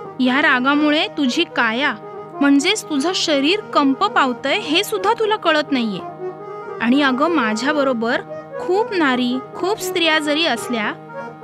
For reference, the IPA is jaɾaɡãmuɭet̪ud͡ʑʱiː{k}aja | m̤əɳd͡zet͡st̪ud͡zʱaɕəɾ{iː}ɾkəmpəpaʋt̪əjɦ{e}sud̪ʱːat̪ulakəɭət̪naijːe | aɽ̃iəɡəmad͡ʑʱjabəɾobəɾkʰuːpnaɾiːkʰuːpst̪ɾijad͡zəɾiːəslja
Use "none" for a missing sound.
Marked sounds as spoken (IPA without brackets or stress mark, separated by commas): k, iː, e